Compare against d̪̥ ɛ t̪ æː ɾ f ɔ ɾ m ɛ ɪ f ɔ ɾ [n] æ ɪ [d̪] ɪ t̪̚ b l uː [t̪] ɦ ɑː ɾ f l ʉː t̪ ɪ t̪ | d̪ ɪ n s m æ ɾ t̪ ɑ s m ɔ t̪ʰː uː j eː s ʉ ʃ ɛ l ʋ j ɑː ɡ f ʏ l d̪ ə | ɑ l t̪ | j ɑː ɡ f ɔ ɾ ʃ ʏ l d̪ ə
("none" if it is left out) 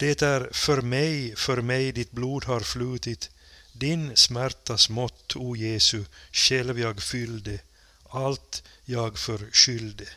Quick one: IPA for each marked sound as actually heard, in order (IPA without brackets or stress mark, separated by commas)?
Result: m, d̪, d̪